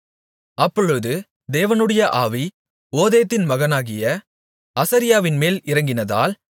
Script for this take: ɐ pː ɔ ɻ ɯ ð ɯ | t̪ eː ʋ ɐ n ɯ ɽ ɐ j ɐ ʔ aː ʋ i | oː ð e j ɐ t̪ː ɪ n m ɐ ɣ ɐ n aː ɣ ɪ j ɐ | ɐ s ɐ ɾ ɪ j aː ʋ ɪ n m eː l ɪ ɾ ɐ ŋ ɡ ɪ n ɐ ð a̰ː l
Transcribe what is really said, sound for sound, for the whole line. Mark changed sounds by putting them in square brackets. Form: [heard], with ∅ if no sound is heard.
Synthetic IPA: ɐ pː ɔ ɻ ɯ ð ɯ | [d̪] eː ʋ ɐ n ɯ ɽ ɐ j ɐ ʔ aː ʋ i | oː ð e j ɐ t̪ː ɪ n m ɐ ɣ ɐ n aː ɣ ɪ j ɐ | ɐ s ɐ ɾ ɪ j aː ʋ ɪ n m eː l ɪ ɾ ɐ ŋ ɡ ɪ n ɐ ð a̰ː l